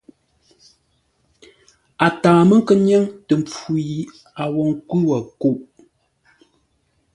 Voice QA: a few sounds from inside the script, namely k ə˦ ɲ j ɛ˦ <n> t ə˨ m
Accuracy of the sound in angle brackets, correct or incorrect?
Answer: incorrect: ŋ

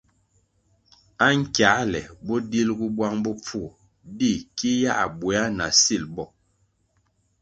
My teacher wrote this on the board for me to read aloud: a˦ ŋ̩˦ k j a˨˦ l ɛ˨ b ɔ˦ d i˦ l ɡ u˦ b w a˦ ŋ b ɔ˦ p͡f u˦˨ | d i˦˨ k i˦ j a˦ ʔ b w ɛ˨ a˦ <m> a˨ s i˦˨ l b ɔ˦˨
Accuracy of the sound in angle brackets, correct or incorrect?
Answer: incorrect: n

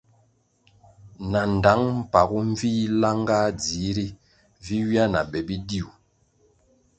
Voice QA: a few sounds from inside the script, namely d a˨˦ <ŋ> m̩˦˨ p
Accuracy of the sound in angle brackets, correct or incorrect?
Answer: correct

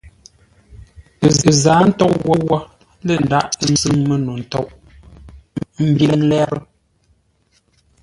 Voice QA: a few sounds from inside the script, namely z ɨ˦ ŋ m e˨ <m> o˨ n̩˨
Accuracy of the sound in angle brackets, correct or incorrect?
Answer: incorrect: n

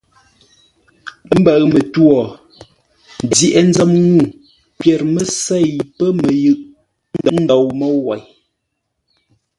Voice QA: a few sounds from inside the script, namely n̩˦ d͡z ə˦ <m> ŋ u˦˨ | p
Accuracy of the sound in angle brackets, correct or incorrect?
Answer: correct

